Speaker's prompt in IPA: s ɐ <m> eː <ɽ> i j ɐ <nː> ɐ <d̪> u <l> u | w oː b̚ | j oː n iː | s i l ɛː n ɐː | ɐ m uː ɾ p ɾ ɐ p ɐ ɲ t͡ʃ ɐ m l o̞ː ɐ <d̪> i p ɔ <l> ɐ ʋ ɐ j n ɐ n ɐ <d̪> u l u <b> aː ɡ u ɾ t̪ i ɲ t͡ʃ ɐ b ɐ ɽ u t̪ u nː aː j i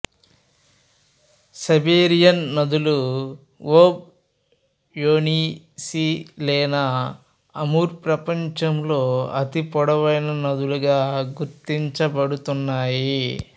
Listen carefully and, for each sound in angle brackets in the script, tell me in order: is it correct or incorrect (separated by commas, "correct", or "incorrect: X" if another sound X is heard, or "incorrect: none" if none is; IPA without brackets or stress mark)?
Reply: incorrect: b, incorrect: ɾ, correct, correct, correct, incorrect: t̪, incorrect: ɽ, correct, incorrect: ɡ